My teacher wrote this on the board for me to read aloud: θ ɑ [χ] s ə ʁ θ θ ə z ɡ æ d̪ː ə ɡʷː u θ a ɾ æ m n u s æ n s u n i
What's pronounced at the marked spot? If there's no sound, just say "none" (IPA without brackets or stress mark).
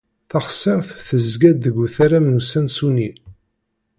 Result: χ